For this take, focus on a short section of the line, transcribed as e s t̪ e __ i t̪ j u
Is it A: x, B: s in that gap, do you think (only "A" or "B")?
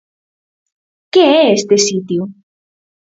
B